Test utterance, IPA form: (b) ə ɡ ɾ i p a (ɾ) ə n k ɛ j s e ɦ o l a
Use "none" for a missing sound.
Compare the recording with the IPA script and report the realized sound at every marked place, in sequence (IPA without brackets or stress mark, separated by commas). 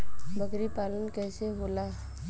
b, l